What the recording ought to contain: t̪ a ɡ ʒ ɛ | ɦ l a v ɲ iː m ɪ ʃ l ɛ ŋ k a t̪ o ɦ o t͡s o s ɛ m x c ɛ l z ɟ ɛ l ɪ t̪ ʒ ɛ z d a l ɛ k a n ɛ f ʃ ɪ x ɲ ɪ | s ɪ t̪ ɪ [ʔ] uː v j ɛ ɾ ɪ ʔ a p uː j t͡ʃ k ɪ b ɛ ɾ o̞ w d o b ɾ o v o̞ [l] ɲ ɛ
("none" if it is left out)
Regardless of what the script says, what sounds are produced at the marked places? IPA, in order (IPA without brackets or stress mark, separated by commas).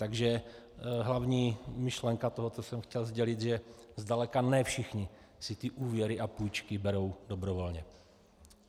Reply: ʔ, l